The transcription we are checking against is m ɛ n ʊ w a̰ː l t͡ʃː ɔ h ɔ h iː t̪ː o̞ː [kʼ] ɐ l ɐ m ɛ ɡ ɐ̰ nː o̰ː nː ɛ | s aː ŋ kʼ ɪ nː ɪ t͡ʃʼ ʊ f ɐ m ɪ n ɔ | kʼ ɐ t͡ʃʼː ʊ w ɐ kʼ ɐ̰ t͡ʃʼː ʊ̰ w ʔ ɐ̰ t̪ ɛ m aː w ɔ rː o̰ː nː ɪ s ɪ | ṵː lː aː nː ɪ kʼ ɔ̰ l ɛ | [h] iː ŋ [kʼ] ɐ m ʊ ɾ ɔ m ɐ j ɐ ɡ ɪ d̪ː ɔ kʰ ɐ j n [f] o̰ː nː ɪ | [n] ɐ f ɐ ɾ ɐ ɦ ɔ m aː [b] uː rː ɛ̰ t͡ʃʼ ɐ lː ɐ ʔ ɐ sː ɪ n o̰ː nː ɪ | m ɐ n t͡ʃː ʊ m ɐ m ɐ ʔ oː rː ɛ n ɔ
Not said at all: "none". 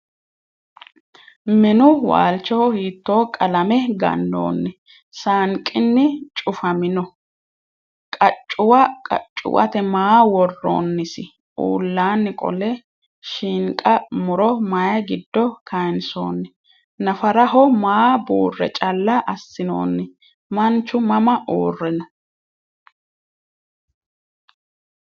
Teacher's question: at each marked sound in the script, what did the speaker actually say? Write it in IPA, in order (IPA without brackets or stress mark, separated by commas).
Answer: kʼ, ʃ, kʼ, s, n, b